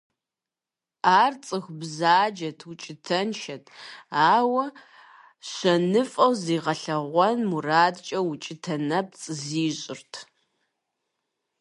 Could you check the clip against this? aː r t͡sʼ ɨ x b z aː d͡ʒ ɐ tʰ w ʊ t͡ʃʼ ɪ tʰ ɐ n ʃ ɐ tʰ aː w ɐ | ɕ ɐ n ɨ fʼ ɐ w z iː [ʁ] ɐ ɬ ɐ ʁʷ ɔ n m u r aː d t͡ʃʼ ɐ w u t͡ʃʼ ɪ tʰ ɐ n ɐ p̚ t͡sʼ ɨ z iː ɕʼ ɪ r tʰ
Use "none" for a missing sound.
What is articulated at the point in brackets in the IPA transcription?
ʁ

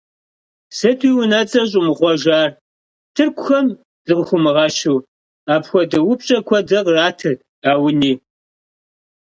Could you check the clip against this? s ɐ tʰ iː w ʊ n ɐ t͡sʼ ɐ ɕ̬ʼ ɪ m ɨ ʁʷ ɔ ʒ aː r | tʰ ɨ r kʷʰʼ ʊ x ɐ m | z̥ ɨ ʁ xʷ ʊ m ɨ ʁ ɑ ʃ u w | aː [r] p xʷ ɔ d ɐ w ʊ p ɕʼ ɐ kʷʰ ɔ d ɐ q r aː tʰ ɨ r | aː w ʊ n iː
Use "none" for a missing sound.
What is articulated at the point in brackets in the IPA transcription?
none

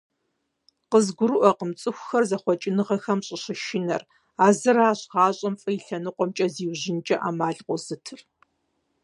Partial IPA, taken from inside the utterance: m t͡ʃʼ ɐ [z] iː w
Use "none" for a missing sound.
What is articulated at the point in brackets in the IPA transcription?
z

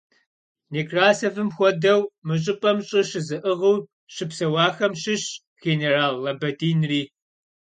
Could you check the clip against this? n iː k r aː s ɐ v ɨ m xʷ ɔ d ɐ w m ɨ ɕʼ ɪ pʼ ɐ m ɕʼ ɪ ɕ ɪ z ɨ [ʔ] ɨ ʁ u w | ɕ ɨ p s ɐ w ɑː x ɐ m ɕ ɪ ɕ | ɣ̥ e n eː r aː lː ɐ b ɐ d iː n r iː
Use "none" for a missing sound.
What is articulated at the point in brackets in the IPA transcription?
ʔ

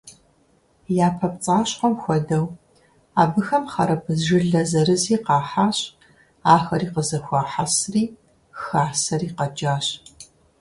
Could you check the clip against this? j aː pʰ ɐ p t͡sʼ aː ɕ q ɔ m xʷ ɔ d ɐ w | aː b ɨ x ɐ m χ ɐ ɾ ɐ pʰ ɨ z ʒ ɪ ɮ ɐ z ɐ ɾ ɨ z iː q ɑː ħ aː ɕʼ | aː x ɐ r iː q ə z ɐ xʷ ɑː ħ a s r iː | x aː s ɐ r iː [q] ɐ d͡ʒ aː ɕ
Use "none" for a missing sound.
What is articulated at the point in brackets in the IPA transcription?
q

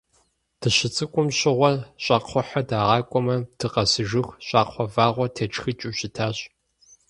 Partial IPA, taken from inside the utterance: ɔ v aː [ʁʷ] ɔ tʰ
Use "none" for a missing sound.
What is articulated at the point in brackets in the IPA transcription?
ʁʷ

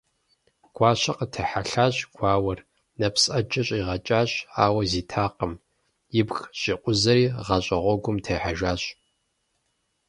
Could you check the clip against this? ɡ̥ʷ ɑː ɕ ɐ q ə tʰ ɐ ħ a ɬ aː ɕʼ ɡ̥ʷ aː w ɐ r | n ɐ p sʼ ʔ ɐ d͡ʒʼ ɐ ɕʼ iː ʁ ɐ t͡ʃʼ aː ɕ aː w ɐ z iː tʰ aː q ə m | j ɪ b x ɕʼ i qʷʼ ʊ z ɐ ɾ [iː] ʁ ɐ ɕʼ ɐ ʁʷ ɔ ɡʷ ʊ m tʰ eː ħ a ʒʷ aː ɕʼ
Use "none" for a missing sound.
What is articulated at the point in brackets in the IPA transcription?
iː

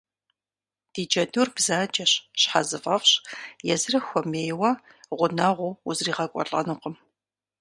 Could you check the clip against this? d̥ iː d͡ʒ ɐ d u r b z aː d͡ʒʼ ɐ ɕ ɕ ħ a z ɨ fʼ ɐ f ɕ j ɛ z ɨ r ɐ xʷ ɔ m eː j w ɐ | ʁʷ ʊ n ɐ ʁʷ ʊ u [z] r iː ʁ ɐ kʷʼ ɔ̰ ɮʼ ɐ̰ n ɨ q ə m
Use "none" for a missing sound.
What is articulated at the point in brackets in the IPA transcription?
z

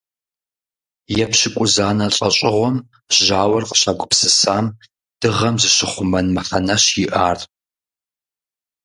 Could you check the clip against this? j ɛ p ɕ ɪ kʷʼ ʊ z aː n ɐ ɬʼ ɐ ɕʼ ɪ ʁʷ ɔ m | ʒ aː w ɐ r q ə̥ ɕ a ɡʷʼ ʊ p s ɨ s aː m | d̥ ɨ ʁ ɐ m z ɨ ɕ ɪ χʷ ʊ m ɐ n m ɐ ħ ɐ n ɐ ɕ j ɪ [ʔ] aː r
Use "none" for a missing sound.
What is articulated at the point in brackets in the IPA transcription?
ʔ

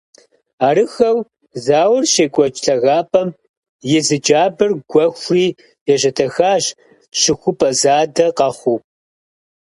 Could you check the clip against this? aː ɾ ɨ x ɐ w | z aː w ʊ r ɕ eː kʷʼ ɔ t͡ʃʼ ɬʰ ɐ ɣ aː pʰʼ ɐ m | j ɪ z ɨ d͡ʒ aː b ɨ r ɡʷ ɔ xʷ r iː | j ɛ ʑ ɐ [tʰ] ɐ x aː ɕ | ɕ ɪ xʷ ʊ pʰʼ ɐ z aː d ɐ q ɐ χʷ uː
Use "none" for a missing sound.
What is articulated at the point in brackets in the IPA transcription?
tʰ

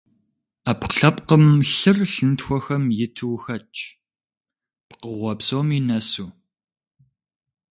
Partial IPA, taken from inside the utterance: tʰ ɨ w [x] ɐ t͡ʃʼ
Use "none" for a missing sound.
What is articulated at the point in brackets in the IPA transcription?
x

